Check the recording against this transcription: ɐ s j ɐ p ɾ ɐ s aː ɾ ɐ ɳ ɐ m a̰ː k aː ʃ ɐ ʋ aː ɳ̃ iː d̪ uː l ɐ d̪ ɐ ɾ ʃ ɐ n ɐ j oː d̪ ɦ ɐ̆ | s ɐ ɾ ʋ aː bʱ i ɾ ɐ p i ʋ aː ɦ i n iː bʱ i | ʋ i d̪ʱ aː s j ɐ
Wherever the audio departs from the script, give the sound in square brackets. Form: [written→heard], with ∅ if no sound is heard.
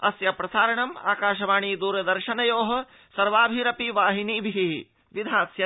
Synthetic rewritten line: ɐ s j ɐ p ɾ ɐ s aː ɾ ɐ ɳ ɐ m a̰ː k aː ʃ ɐ ʋ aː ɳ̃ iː d̪ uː [l→ɾ] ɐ d̪ ɐ ɾ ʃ ɐ n ɐ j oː [d̪→∅] ɦ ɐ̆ | s ɐ ɾ ʋ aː bʱ i ɾ ɐ p i ʋ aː ɦ i n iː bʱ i | ʋ i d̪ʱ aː s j ɐ